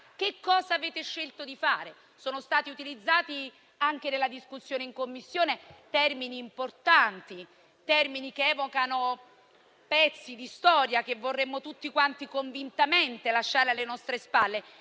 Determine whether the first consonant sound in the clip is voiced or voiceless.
voiceless